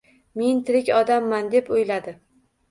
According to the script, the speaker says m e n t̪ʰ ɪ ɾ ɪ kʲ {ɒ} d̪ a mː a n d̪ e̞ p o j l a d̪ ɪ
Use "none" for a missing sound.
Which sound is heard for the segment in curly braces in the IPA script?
ɒ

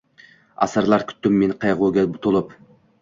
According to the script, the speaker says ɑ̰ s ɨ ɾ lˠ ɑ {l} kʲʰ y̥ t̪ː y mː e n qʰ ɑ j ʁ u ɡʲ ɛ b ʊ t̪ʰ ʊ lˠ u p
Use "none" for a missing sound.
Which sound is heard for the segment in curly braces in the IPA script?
ɾ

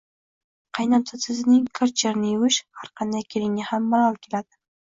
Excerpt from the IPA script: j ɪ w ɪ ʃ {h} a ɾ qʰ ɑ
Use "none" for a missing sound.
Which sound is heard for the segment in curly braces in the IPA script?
h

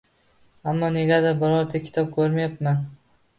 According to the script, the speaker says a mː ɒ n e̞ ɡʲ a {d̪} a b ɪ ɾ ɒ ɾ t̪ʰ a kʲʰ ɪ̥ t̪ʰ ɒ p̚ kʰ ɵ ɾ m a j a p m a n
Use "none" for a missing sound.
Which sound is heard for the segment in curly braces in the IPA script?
d̪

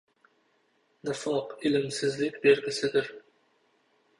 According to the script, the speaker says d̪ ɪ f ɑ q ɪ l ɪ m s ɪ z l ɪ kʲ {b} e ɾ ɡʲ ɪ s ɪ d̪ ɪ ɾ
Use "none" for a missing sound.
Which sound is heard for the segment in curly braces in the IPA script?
b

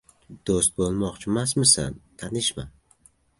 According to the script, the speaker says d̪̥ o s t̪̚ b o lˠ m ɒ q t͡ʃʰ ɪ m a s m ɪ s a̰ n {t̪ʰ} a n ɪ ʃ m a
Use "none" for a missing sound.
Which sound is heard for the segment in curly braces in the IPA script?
t̪ʰ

